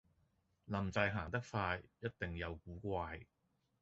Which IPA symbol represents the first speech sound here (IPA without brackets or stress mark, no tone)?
l